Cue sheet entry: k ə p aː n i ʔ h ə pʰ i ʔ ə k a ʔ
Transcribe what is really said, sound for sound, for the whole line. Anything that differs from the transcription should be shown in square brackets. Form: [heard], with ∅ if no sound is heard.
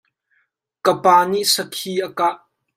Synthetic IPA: k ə p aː n i ʔ [s] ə [kʰ] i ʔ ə k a ʔ